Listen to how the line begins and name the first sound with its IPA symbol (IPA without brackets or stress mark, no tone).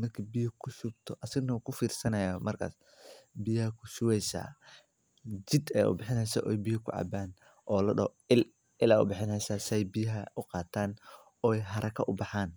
m